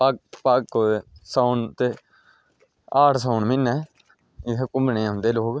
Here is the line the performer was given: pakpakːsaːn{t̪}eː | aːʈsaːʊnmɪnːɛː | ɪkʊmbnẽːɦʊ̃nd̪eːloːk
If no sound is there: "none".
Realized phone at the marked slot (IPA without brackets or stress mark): t̪